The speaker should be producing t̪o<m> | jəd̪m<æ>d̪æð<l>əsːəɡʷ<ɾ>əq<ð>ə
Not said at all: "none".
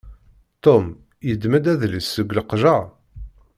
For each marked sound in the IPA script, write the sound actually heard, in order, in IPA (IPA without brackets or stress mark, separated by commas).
m, æ, l, l, ʒ